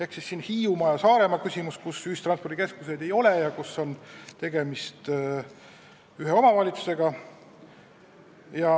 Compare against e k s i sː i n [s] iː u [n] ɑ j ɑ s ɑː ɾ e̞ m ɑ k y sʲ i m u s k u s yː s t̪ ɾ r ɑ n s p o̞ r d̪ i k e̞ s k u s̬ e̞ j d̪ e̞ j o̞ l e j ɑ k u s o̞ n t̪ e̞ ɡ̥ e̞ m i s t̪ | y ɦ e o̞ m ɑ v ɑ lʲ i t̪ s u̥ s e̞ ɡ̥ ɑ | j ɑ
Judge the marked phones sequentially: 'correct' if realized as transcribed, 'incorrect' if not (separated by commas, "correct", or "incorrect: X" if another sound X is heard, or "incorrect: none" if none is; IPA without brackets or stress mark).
incorrect: h, incorrect: m